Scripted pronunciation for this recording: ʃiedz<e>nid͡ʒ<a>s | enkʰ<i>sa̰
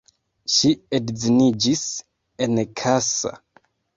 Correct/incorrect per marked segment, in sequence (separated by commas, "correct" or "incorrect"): incorrect, incorrect, incorrect